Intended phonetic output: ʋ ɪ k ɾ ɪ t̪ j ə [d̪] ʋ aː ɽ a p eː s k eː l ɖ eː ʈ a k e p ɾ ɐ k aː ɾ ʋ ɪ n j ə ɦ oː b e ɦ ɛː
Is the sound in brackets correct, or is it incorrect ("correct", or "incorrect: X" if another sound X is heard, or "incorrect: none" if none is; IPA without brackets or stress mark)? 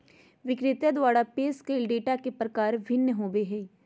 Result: correct